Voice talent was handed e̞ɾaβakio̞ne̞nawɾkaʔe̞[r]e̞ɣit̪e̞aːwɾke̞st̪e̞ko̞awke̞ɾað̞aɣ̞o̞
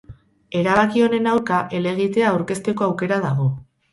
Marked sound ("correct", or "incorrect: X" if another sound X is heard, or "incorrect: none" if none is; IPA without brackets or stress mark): incorrect: l